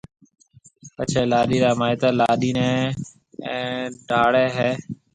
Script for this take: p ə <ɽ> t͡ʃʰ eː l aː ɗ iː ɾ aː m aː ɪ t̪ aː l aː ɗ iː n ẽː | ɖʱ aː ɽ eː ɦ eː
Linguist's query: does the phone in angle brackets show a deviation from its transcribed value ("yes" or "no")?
yes